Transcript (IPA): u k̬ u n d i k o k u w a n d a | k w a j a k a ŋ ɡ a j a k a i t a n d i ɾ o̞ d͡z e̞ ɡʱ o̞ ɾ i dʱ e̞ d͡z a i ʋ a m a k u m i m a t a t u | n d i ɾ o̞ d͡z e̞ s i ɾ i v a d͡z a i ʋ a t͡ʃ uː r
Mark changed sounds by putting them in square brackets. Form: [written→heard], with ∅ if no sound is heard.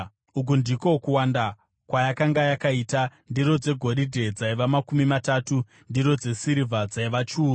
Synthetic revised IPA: u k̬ u n d i k o k u w a n d a | k w a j a k a ŋ ɡ a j a k a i t a n d i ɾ o̞ d͡z e̞ ɡʱ o̞ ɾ i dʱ e̞ d͡z a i ʋ a m a k u m i m a t a t u | n d i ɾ o̞ d͡z e̞ s i ɾ i v a d͡z a i ʋ a t͡ʃ uː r